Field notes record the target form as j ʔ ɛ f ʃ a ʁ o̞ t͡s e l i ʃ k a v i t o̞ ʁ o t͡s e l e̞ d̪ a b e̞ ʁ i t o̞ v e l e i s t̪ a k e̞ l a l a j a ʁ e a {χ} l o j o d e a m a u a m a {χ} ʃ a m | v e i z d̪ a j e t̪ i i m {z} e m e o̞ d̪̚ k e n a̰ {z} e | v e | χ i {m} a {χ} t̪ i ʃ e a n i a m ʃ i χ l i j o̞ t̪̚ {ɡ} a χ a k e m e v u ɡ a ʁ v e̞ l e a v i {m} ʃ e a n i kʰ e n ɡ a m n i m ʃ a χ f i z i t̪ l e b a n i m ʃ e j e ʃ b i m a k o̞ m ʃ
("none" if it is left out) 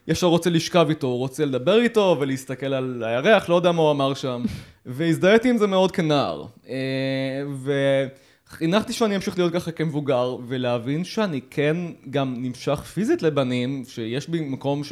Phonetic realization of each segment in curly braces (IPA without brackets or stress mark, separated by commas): χ, ʁ, z, ʁ, n, χ, k, n